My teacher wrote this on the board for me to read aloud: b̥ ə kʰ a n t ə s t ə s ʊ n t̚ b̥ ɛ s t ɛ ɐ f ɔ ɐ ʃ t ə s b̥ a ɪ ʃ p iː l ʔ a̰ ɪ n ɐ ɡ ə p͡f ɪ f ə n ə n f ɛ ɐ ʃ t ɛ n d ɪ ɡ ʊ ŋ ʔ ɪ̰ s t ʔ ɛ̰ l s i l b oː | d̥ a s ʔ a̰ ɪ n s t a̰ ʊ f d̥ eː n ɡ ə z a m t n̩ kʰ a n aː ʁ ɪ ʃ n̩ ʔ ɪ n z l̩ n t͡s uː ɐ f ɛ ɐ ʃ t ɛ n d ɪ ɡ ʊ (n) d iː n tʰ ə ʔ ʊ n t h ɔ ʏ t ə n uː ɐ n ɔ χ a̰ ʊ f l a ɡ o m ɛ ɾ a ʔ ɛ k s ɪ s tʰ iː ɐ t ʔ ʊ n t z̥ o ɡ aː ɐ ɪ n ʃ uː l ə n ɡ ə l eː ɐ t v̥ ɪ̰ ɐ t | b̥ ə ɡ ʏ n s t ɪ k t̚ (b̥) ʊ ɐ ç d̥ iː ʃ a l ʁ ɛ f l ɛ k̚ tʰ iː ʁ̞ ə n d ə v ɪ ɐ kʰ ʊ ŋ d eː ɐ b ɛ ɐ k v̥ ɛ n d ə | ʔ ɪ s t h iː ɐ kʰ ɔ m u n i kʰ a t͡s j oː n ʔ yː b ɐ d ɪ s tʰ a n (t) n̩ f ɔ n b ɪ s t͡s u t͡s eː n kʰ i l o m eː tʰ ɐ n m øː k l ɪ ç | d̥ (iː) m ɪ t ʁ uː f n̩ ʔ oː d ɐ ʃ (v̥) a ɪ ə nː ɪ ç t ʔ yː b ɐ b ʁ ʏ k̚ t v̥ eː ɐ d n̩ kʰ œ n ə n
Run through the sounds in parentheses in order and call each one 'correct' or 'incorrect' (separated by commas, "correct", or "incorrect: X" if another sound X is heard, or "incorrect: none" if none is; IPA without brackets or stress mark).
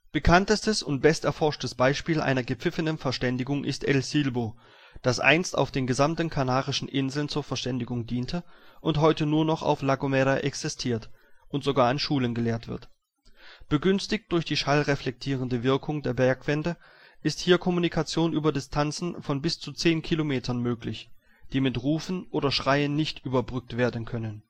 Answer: incorrect: ŋ, incorrect: d̥, incorrect: t͡s, correct, incorrect: ʁ̥